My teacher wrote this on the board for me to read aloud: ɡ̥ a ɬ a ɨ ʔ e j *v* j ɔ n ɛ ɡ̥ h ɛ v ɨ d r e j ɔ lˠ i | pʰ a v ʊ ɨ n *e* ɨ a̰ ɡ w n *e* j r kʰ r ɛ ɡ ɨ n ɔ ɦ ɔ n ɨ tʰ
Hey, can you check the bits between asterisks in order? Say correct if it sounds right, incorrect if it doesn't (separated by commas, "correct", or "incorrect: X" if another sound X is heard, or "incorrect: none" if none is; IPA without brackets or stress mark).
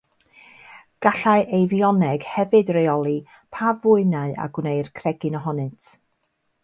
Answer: correct, incorrect: a, correct